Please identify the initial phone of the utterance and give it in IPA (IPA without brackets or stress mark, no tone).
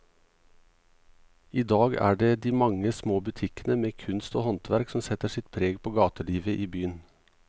iː